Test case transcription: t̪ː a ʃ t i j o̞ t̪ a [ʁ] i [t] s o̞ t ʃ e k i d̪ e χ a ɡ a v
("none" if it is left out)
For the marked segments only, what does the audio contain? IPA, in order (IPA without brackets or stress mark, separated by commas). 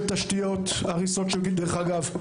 ʁ, none